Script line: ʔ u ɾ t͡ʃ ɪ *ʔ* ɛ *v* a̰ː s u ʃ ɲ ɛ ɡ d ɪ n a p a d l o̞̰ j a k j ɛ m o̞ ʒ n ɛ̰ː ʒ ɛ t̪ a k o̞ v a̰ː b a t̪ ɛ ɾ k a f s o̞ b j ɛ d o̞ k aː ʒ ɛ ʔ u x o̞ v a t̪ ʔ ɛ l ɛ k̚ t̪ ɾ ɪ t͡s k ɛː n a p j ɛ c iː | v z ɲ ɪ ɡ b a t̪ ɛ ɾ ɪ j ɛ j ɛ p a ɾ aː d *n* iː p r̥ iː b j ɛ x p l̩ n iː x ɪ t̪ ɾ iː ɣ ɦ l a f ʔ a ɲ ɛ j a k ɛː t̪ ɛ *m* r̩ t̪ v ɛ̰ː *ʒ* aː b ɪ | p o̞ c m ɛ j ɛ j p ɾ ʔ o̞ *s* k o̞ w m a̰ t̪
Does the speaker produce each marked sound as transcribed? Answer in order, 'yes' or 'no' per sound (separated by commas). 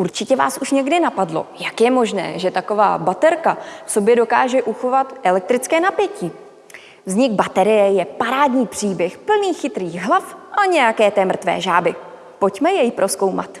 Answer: no, yes, no, yes, yes, yes